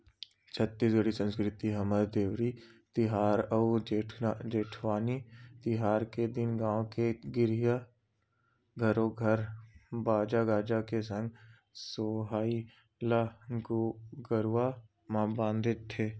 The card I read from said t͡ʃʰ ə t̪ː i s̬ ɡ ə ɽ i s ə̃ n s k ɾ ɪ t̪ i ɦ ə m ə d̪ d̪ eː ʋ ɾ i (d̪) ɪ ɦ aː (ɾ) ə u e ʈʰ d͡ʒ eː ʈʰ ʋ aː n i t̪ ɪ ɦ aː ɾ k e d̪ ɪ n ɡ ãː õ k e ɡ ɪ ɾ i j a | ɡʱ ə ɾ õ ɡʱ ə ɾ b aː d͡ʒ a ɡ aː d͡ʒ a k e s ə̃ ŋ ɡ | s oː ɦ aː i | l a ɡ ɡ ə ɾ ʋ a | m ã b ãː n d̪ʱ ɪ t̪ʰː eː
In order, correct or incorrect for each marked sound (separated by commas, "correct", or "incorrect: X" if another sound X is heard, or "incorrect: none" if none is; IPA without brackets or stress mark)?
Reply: incorrect: t̪, correct